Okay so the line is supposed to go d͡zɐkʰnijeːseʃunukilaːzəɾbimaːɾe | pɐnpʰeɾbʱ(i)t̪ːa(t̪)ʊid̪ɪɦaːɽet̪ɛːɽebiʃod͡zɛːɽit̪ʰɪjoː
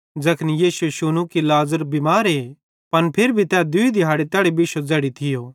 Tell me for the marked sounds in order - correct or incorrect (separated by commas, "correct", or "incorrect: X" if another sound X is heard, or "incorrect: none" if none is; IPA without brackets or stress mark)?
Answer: correct, incorrect: d̪